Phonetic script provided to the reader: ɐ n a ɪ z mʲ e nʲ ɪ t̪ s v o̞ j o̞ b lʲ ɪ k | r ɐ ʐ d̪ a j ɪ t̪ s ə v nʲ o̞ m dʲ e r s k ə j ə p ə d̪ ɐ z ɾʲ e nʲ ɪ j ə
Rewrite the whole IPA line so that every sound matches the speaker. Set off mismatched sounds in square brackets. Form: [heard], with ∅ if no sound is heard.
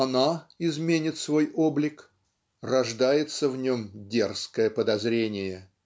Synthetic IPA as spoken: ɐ n a ɪ z mʲ e nʲ ɪ t̪ s v o̞ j o̞ b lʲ ɪ k | r ɐ ʐ d̪ a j ɪ t̪ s ə v nʲ o̞ m dʲ e r s k ə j ə p ə d̪ ɐ z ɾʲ e nʲ ɪ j ə